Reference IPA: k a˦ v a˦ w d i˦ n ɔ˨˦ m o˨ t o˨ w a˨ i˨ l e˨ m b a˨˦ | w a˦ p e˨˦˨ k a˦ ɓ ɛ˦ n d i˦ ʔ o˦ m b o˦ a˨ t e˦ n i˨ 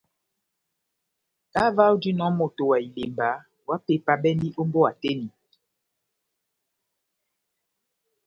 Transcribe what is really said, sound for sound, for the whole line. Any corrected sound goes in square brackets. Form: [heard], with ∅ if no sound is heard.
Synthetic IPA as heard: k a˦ v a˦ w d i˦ n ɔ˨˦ m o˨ t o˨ w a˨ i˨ l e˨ m b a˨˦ | w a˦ p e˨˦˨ [p] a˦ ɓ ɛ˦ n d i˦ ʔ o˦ m b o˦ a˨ t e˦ n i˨